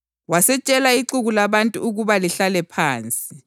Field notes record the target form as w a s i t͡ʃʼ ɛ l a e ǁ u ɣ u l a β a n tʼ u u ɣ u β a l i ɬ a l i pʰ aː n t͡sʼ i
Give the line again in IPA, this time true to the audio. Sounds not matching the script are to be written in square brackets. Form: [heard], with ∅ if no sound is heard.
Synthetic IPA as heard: w a s [ɛ] t͡ʃʼ ɛ l a [i] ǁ u ɣ u l a β a n tʼ u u ɣ u β a l i ɬ a l [ɛ] pʰ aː n t͡sʼ i